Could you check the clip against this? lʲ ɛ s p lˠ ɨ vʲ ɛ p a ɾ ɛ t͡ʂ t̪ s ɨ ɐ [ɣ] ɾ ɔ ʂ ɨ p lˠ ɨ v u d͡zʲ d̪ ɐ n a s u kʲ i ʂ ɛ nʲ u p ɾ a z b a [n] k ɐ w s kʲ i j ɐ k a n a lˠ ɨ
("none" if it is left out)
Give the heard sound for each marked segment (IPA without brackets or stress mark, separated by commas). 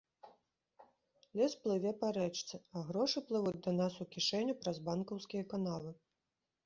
ɣ, n